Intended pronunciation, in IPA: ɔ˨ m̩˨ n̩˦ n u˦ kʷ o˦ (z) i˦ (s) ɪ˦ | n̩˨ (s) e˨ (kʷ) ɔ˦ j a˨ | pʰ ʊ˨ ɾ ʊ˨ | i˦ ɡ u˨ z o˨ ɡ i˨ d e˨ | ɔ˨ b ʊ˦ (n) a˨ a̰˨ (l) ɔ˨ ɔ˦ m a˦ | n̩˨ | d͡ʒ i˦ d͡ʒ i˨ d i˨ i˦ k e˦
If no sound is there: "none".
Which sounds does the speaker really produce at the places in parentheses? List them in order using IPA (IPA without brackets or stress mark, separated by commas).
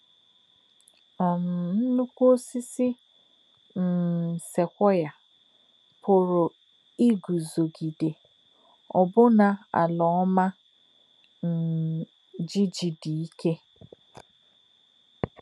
s, s, s, kʷ, n, l